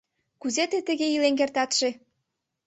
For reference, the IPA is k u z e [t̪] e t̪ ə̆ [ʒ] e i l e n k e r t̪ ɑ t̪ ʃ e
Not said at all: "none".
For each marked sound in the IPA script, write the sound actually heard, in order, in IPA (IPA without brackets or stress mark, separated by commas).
t̪, ɣ